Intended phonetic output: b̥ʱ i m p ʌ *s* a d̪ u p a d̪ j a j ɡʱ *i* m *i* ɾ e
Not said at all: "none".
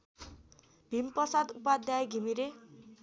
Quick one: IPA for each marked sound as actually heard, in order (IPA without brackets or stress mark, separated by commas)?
s, i, i